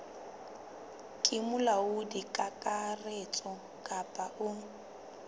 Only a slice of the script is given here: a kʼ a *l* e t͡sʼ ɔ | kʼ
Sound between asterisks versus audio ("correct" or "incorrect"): incorrect